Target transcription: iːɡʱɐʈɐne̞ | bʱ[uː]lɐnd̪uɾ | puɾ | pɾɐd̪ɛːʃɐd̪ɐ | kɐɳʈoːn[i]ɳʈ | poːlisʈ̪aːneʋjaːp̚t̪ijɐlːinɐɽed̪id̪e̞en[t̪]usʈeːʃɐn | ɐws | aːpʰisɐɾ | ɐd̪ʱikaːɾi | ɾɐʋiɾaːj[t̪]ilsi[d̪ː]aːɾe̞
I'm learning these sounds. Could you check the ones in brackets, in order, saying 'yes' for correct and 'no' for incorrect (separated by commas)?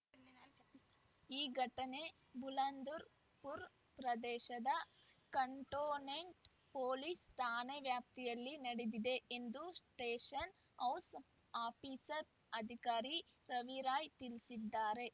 no, no, no, yes, yes